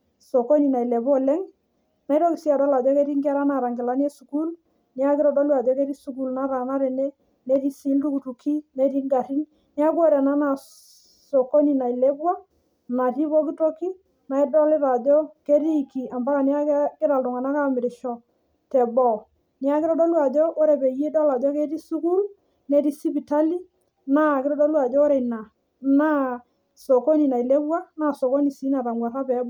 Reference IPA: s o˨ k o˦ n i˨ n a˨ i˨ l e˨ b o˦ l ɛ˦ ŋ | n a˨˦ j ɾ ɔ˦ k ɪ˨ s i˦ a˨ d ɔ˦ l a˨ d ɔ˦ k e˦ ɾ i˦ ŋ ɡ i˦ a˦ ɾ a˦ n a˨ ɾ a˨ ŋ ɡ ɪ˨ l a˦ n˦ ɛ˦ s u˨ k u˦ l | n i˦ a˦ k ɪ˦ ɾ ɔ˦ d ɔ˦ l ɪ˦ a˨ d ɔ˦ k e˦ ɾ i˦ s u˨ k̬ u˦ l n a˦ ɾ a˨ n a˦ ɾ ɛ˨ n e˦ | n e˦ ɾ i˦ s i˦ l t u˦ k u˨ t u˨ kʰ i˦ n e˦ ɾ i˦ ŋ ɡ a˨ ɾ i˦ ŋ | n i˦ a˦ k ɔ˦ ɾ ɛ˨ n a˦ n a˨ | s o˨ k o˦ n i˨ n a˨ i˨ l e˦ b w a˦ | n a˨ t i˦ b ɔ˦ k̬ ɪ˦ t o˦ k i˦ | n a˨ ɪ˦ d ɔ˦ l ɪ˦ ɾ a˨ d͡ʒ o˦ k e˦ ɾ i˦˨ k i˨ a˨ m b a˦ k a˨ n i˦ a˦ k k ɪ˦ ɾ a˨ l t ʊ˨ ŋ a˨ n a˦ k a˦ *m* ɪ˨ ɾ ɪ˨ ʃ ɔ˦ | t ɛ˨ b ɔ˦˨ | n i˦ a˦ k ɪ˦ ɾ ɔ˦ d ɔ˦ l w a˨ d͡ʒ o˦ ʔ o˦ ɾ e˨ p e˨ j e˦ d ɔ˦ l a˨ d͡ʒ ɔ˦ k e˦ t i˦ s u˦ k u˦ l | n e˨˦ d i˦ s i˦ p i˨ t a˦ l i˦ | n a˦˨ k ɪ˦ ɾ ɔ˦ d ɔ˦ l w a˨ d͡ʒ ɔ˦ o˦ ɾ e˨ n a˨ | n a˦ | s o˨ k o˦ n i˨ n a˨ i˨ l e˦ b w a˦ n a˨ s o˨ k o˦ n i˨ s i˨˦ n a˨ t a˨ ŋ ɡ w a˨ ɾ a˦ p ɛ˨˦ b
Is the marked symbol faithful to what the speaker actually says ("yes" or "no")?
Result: yes